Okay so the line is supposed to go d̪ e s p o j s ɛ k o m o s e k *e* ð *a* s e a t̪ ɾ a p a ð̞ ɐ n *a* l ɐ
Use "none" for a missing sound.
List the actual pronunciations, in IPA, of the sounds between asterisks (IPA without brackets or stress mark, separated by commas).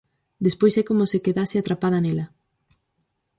e, a, e